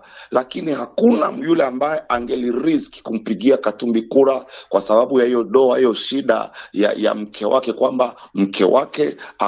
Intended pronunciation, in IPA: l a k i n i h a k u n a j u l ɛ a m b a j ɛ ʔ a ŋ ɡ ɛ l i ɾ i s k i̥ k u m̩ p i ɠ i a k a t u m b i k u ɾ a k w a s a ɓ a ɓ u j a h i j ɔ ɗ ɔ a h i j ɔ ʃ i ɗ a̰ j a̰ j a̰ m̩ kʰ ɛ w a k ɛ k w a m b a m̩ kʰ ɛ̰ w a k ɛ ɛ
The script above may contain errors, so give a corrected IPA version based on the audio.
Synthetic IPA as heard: l a k i n i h a k u n a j u l ɛ a m b a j ɛ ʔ a ŋ ɡ ɛ l i ɾ i s k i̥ k u m̩ p i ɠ i a k a t u m b i k u ɾ a k w a s a ɓ a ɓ u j a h i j ɔ ɗ ɔ a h i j ɔ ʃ i ɗ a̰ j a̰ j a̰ m̩ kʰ ɛ w a k ɛ k w a m b a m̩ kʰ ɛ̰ w a k ɛ a